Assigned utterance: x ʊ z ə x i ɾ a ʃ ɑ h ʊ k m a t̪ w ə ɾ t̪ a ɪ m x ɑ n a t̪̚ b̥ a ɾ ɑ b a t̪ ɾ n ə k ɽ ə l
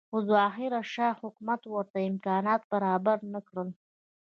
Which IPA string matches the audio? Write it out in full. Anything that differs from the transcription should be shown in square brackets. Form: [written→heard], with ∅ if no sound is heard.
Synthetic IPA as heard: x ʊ z [ə→ɑ] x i ɾ a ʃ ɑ h ʊ k m a t̪ w ə ɾ t̪ a ɪ m [x→k] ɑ n [a→ɑ] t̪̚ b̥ a ɾ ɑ b a [t̪→∅] ɾ n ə k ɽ ə l